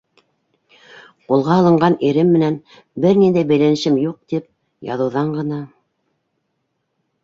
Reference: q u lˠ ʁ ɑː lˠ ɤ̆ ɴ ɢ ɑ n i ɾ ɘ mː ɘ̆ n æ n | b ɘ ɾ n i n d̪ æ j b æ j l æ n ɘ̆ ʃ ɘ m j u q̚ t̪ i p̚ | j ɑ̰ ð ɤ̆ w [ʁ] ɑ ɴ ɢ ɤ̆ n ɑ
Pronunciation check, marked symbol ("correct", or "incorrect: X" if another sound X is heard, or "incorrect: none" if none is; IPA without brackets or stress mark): incorrect: ð